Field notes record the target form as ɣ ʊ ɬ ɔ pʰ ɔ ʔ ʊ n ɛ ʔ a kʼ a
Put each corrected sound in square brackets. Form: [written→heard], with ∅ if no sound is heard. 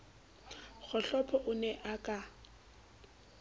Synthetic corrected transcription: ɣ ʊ ɬ ɔ pʰ ɔ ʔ ʊ n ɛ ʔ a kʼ a

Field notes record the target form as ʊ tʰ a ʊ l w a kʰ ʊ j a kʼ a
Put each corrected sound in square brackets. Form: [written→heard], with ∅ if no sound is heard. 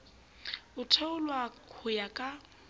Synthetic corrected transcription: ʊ tʰ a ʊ l w a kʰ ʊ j a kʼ a

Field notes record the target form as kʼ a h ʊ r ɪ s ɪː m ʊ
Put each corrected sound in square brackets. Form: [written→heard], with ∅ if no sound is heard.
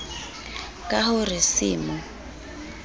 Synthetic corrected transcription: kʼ a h ʊ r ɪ s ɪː m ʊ

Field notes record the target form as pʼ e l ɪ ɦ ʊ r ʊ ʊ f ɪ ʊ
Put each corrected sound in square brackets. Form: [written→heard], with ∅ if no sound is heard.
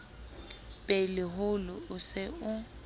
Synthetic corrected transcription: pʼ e l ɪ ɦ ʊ [r→l] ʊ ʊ [f→s] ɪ ʊ

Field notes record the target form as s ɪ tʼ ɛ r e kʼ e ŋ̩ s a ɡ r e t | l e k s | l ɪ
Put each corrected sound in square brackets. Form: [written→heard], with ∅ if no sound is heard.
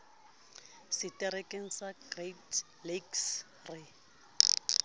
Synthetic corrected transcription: s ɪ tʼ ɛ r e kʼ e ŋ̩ s a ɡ r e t | l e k s | [l→r] ɪ

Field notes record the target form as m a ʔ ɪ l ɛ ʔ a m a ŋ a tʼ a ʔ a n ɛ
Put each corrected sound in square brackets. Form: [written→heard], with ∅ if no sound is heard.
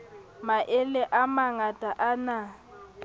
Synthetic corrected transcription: m a ʔ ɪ l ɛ ʔ a m a ŋ a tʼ a ʔ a n [ɛ→a]

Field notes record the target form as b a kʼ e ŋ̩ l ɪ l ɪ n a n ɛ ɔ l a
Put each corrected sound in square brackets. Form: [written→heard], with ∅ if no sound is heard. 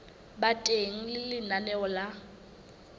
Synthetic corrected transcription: b a [kʼ→tʼ] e ŋ̩ l ɪ l ɪ n a n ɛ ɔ l a

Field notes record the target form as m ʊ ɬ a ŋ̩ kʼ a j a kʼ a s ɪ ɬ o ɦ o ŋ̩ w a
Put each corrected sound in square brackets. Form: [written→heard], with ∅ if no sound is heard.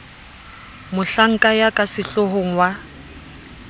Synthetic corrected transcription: m ʊ ɬ a ŋ̩ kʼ a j a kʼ a s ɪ ɬ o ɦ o ŋ̩ w a

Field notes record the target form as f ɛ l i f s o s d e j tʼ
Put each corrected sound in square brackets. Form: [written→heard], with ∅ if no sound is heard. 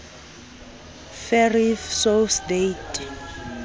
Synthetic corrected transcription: f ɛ [l→r] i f s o s d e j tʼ

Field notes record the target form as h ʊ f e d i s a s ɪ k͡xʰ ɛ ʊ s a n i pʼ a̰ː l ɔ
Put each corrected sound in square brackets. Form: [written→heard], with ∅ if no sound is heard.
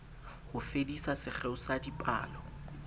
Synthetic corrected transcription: h ʊ f e d i s a s ɪ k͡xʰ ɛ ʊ s a [n→d] i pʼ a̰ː l ɔ

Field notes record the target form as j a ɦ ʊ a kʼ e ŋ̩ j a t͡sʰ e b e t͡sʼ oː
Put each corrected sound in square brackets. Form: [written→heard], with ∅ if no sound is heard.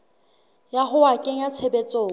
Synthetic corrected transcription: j a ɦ ʊ a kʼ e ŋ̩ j a t͡sʰ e b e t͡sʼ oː

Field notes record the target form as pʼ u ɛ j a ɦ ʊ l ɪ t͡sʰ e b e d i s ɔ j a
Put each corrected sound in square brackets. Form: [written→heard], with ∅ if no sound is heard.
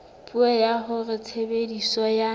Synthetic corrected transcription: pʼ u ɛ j a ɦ ʊ [l→r] ɪ t͡sʰ e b e d i s ɔ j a

